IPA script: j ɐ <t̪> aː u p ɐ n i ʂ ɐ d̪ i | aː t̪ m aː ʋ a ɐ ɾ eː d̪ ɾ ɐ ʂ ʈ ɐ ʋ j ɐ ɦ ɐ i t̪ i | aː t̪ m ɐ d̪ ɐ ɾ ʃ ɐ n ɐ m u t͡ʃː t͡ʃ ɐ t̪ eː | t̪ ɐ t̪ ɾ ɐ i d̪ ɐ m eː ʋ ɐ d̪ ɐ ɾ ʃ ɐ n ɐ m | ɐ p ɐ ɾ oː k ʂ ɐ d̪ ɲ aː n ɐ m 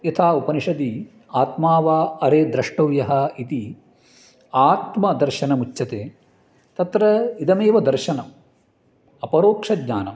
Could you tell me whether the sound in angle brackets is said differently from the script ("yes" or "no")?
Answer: yes